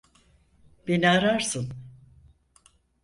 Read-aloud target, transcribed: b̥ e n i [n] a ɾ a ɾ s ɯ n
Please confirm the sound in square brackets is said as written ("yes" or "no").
no